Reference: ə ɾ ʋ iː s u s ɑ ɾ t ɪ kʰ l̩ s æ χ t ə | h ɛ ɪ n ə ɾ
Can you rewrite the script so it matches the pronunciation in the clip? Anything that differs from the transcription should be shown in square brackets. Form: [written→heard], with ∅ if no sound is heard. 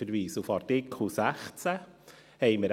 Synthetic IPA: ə ɾ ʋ iː s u [s→f] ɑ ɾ t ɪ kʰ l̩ s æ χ [t→t͡s] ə | h ɛ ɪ [n→m] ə ɾ